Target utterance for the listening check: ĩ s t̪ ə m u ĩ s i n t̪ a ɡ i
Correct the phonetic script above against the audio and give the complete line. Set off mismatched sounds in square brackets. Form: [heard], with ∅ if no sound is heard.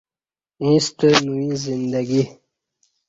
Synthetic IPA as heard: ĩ s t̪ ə [n] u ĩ [z] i n [d̪] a ɡ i

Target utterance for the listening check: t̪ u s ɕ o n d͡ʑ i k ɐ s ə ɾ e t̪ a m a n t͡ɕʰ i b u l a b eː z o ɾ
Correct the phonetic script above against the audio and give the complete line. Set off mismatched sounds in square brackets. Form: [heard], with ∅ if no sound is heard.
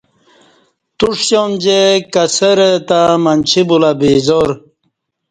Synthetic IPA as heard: t̪ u [ʂ] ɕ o n d͡ʑ [e] k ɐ s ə ɾ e t̪ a m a n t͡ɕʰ i b u l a b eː z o ɾ

